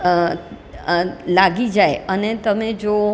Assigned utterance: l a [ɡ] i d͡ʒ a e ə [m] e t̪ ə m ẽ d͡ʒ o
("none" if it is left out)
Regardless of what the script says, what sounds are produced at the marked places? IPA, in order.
ɡ, n

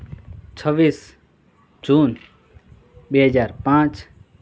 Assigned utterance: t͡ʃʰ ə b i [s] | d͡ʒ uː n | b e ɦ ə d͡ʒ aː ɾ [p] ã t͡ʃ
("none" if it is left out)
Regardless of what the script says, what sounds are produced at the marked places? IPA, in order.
s, p

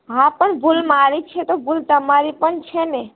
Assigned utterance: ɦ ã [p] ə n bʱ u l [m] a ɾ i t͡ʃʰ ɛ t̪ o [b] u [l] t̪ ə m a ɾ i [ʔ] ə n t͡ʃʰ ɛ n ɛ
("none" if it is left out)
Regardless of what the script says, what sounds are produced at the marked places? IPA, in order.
p, m, b, l, p

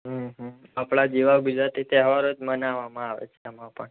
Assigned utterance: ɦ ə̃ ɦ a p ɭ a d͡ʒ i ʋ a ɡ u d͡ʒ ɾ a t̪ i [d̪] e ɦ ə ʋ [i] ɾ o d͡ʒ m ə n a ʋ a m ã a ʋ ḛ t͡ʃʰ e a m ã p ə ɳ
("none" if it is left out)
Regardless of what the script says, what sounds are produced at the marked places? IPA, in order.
t̪, a

